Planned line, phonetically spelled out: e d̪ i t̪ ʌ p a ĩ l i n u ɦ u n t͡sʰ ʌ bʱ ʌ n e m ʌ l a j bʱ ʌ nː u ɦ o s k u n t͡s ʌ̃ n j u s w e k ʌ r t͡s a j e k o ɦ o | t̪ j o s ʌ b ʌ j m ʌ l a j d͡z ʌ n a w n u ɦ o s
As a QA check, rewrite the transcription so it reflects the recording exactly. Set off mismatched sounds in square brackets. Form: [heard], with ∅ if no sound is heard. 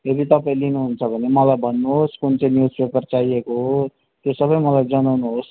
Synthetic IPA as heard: e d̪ i t̪ ʌ p a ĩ l i n u ɦ u n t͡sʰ ʌ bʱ ʌ n e m ʌ l a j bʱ ʌ nː u ɦ o s k u n t͡s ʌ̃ n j u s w e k ʌ r t͡s a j e k o ɦ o | t̪ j o s ʌ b ʌ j m ʌ l a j d͡z ʌ n a w n u ɦ o s

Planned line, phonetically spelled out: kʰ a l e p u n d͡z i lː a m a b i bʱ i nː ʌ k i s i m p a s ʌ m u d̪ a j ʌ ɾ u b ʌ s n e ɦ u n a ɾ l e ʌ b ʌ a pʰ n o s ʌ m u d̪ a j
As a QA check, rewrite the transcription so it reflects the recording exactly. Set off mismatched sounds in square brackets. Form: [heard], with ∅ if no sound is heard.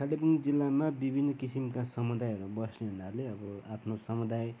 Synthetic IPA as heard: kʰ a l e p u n d͡z i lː a m a b i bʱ i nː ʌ k i s i m [k] a s ʌ m u d̪ a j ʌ ɾ u b ʌ s n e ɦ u n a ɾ l e ʌ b ʌ a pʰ n o s ʌ m u d̪ a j

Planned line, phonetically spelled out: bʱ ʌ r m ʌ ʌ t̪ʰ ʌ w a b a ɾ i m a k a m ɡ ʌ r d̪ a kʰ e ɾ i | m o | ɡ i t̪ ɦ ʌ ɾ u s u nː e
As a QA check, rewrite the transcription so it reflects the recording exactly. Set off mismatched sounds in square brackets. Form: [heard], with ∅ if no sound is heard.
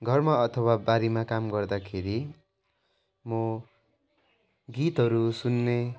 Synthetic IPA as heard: [ɡʱ] ʌ r m [a] ʌ t̪ʰ ʌ w a b a ɾ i m a k a m ɡ ʌ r d̪ a kʰ e ɾ i | m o | ɡ i t̪ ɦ ʌ ɾ u s u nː e

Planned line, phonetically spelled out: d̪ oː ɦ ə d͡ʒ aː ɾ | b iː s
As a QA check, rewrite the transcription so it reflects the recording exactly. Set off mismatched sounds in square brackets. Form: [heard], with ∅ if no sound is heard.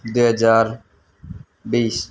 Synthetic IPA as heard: d̪ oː ɦ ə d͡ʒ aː ɾ | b iː s

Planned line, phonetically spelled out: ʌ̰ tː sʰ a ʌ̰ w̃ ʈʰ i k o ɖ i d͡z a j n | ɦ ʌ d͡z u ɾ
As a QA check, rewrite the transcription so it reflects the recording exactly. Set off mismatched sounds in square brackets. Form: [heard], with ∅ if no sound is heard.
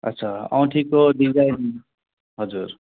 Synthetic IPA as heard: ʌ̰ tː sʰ a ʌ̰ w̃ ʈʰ i k o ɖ i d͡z a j n | ɦ ʌ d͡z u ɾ

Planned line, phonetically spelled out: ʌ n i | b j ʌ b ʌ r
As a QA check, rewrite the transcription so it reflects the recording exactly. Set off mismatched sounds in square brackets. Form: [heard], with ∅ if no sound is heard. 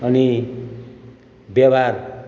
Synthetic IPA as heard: ʌ n i | b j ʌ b [a] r

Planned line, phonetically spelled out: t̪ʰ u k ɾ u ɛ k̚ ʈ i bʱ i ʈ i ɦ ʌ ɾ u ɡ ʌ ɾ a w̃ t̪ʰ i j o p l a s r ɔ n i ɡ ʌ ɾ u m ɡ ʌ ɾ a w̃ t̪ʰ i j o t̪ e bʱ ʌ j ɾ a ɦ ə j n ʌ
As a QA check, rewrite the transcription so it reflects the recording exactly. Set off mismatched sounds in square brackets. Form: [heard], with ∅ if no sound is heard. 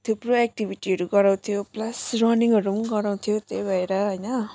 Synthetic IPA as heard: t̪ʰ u [p] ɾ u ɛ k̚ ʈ i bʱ i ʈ i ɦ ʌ ɾ u ɡ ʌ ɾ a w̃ t̪ʰ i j o p l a s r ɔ n i [ŋ] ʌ ɾ u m ɡ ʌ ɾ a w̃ t̪ʰ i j o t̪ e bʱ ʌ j ɾ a ɦ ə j n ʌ

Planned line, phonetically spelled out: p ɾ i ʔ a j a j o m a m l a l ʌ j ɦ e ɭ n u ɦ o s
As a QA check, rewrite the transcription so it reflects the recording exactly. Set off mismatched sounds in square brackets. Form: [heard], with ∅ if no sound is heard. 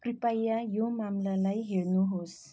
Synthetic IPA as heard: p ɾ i [p] a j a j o m a m l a l [a] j ɦ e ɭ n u ɦ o s

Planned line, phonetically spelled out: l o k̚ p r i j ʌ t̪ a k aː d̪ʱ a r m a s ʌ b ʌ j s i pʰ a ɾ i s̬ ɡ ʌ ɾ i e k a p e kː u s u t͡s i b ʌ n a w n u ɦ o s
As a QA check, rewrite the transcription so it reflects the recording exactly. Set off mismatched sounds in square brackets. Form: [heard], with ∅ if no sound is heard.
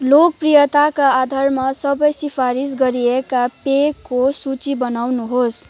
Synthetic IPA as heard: l o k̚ p r i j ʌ t̪ a k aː d̪ʱ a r m a s ʌ b ʌ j s i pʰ a ɾ i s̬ ɡ ʌ ɾ i e k a p e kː [o] s u t͡s i b ʌ n a w n u ɦ o s

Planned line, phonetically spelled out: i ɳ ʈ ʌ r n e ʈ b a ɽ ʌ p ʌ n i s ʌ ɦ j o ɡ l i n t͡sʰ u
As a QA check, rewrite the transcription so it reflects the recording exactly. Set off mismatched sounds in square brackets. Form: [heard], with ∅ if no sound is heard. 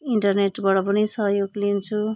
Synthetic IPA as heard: i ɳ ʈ ʌ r n e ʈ b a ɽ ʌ p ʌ n i s ʌ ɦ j o ɡ l i n t͡sʰ u

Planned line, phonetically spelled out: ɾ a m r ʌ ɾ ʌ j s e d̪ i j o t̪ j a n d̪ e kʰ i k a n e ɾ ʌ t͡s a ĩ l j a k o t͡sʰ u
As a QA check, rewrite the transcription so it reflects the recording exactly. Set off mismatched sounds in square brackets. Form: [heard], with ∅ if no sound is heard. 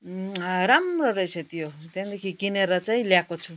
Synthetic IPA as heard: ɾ a m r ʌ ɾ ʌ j s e [t̪] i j o t̪ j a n d̪ e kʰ i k [i] n e ɾ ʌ t͡s a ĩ l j a k o t͡sʰ u

